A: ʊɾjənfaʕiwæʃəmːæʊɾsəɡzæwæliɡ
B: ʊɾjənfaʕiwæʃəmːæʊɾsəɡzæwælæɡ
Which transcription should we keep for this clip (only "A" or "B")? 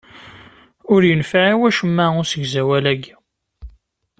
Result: B